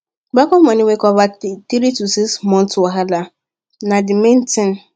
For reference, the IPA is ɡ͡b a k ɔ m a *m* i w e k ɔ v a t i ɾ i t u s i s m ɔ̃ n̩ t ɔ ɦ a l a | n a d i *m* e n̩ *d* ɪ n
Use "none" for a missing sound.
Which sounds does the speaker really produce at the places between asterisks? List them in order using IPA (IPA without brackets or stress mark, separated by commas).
n, m, t